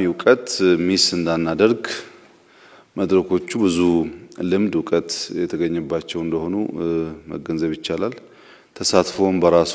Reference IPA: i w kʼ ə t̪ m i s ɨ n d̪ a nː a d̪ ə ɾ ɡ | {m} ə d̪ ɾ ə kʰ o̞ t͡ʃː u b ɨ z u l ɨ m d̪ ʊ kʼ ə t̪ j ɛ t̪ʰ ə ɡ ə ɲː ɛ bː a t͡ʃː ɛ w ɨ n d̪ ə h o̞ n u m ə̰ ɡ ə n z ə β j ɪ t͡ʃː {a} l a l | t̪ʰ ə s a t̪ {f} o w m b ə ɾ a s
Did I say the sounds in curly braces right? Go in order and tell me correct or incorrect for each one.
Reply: correct, correct, correct

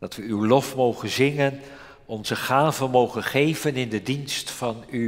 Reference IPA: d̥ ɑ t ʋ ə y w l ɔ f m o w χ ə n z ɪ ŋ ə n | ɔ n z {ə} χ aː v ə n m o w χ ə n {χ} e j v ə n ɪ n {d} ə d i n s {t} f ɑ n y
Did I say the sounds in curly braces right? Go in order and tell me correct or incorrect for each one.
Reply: correct, correct, correct, correct

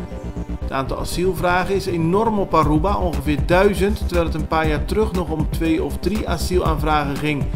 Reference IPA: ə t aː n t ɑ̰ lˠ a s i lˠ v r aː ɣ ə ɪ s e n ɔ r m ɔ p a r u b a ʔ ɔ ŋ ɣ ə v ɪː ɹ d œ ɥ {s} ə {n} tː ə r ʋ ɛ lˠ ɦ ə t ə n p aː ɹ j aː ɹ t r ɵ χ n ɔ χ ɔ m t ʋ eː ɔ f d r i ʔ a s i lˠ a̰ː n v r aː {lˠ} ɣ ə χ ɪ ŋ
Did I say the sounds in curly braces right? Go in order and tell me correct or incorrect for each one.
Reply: incorrect: z, correct, incorrect: none

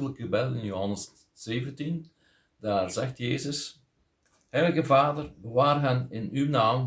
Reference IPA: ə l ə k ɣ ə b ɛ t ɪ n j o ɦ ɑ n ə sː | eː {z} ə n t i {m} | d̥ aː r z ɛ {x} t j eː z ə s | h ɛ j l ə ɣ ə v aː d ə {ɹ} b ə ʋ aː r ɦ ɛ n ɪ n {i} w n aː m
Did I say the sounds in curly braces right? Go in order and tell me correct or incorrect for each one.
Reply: incorrect: v, incorrect: n, correct, incorrect: r, incorrect: y

